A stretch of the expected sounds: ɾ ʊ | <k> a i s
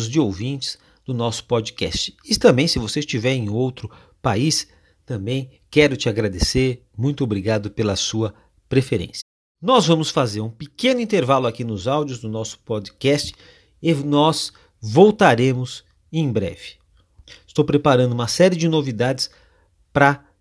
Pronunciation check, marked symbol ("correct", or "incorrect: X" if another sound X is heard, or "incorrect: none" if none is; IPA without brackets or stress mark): incorrect: p